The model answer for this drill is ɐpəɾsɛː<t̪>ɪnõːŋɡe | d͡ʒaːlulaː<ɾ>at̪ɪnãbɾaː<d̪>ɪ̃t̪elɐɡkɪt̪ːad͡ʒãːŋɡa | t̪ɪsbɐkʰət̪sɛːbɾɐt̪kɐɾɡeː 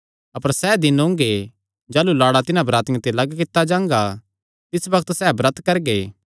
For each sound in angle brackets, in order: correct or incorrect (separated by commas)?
incorrect, incorrect, incorrect